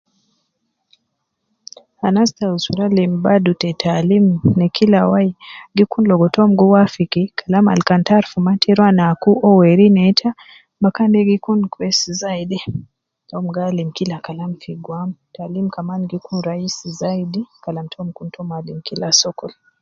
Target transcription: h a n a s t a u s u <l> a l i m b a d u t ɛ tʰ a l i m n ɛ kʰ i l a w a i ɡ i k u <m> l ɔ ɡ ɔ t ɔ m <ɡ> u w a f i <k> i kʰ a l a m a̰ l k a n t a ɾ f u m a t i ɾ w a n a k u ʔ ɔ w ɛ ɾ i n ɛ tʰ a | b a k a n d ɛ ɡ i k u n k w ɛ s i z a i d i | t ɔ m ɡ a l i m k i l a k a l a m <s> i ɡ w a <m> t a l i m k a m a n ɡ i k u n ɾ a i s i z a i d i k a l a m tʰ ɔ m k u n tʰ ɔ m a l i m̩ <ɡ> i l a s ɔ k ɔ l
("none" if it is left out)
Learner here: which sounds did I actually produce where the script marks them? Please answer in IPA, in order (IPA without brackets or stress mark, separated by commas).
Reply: ɾ, n, ɡ, k, f, m, k